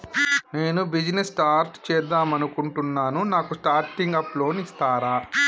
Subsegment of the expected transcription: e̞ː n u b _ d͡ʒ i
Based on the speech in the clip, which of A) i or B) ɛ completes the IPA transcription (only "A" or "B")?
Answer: A